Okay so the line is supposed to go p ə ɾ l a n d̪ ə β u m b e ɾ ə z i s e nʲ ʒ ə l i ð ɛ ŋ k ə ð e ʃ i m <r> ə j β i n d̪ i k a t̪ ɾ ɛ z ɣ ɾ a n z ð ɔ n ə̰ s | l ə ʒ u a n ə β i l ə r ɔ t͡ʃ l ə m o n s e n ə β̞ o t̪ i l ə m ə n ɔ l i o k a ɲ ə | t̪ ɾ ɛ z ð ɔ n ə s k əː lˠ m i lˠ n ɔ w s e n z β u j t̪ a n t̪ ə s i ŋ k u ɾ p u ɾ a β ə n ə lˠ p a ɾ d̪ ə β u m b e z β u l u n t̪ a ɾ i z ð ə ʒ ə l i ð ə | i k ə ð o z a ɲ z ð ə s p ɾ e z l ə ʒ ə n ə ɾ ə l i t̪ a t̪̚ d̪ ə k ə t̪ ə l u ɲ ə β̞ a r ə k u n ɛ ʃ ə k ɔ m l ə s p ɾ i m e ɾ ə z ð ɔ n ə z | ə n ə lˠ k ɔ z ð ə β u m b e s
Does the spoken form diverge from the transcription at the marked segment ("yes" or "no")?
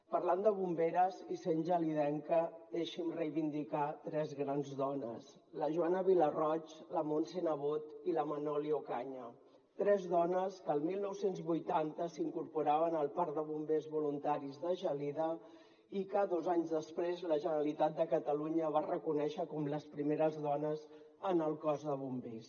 no